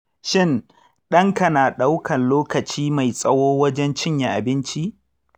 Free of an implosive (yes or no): no